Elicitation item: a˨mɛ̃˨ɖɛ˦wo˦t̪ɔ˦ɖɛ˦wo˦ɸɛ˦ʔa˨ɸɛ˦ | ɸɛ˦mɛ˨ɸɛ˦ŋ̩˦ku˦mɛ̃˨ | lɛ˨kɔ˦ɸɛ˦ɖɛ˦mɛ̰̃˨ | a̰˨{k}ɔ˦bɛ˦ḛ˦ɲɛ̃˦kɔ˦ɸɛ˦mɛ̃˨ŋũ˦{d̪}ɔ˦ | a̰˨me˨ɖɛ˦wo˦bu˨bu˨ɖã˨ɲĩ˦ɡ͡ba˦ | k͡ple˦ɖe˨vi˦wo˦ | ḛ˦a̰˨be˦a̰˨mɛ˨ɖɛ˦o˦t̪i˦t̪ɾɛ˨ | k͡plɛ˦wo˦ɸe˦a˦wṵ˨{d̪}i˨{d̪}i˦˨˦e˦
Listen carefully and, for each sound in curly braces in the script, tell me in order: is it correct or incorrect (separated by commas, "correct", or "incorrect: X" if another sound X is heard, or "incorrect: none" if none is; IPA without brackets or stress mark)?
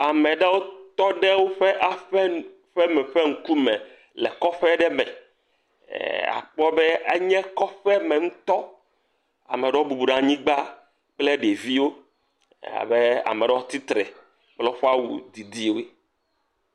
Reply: incorrect: k͡p, incorrect: t̪, correct, correct